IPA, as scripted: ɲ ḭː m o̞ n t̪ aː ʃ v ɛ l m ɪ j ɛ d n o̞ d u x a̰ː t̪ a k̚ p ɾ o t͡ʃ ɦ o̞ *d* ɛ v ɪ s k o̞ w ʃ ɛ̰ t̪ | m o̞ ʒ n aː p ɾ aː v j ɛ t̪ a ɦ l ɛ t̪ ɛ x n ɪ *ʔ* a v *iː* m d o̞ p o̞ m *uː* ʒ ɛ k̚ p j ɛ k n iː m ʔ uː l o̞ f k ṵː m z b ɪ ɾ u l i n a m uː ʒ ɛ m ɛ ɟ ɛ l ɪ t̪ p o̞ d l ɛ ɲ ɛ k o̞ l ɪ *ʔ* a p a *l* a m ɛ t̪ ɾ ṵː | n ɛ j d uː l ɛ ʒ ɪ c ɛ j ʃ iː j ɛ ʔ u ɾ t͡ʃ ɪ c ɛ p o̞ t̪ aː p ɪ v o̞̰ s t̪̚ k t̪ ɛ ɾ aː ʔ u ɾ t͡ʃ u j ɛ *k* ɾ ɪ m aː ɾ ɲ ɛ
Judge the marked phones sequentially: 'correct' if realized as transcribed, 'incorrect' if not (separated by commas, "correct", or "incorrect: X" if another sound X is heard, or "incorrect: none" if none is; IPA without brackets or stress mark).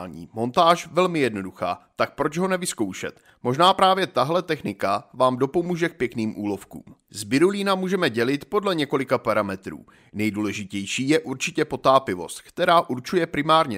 incorrect: n, incorrect: k, incorrect: aː, correct, incorrect: k, incorrect: ɾ, incorrect: p